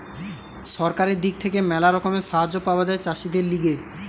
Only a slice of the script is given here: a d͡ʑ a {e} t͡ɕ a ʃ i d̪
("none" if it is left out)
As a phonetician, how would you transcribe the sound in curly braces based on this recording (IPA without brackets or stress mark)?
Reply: e